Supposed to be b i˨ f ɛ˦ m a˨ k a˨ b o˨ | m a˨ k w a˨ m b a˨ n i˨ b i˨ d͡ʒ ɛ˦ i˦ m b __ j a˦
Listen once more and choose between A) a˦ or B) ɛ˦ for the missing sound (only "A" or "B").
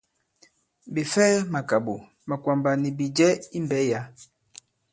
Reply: B